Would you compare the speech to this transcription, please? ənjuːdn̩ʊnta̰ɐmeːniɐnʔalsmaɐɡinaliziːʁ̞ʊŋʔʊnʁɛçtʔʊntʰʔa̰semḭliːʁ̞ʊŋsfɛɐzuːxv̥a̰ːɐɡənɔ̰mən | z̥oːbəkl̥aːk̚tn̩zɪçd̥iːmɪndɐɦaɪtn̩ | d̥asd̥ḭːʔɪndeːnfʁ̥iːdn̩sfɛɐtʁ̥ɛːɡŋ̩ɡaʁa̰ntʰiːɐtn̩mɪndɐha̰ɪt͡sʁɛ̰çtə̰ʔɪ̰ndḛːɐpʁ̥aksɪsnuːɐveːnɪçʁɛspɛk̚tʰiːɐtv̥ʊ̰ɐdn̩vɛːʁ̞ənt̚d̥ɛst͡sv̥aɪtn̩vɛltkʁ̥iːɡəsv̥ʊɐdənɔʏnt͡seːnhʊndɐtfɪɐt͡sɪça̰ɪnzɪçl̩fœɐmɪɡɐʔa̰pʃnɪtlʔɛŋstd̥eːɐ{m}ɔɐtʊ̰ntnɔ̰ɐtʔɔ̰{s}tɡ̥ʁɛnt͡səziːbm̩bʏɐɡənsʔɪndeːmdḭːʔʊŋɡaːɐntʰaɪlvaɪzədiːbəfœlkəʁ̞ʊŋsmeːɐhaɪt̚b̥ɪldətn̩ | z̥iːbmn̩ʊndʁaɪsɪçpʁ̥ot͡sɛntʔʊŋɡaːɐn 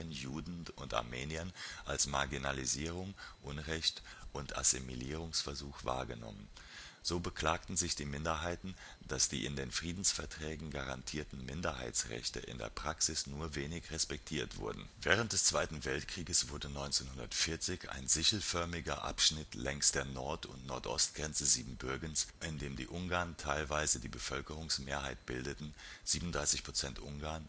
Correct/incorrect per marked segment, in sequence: incorrect: n, correct

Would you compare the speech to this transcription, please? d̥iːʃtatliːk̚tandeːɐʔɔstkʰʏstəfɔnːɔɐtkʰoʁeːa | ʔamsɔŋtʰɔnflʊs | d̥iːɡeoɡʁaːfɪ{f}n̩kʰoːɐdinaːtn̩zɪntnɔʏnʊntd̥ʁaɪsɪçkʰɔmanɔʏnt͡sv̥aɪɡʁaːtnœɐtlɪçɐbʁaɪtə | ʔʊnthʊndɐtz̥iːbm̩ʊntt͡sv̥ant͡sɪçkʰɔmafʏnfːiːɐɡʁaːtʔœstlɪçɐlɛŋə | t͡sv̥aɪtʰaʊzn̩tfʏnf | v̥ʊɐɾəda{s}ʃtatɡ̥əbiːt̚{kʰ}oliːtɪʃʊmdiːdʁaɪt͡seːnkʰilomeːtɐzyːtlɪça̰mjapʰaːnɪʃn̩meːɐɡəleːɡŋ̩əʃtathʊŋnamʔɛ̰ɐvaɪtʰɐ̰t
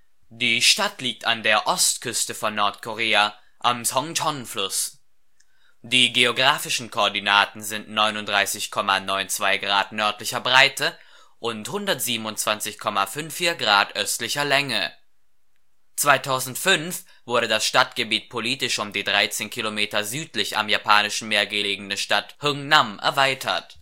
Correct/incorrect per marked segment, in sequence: incorrect: ʃ, correct, incorrect: pʰ

